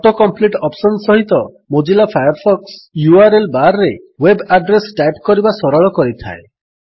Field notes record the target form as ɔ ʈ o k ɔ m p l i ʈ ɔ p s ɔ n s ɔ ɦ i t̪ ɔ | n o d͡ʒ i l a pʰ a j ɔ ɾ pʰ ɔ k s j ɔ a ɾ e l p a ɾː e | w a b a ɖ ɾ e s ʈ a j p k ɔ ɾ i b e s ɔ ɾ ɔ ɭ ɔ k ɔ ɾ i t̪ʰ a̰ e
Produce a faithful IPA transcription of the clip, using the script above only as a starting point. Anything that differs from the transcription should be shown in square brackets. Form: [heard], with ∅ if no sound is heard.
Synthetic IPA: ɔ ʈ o k ɔ m p l i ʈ ɔ p s ɔ n s ɔ ɦ i t̪ ɔ | [m] o d͡ʒ i l a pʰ a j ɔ ɾ pʰ ɔ k s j [u] a ɾ e l [b] a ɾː e | w [e] b a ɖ ɾ e s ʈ a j p k ɔ ɾ i b [a] s ɔ ɾ ɔ ɭ ɔ k ɔ ɾ i t̪ʰ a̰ e